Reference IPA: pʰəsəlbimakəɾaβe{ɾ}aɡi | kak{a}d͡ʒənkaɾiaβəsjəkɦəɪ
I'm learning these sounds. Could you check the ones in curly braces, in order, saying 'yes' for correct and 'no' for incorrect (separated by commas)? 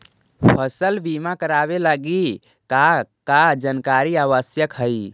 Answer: no, yes